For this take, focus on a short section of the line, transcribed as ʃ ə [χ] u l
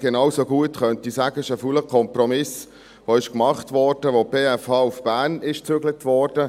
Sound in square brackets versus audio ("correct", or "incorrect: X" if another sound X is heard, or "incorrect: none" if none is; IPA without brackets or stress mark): incorrect: f